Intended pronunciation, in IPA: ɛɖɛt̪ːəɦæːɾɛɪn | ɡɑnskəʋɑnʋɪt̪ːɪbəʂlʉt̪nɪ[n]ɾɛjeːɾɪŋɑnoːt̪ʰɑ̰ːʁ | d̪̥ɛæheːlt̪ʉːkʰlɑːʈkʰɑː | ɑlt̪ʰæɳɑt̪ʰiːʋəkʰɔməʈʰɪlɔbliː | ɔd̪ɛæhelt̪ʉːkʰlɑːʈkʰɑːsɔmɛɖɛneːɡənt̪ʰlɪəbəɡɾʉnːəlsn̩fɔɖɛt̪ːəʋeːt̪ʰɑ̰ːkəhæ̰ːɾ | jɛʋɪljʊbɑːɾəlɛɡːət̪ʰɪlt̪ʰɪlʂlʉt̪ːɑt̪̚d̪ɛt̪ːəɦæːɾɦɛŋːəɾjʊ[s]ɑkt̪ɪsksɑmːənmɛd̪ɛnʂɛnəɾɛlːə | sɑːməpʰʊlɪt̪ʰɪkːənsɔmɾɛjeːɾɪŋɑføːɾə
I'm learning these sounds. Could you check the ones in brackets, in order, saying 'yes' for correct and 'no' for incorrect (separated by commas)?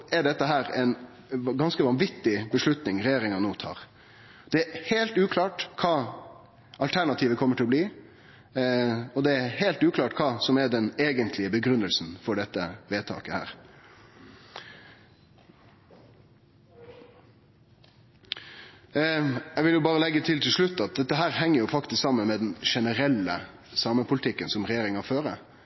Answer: no, no